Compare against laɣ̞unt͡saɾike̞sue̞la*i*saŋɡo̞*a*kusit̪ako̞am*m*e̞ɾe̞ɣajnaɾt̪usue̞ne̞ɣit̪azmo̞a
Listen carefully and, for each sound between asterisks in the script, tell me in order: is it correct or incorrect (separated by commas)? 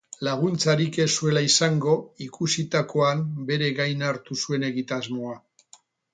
correct, incorrect, incorrect